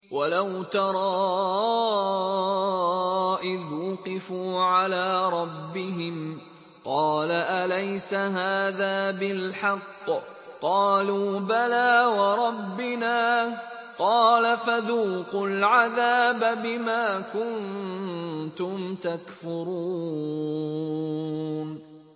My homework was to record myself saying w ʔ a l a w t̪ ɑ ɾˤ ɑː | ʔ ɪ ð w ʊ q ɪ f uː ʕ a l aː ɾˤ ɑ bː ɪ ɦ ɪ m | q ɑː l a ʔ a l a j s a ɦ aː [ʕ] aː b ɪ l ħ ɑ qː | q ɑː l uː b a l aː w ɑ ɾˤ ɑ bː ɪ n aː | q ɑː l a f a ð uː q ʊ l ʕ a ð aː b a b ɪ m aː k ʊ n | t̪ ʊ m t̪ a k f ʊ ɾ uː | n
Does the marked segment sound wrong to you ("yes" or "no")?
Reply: yes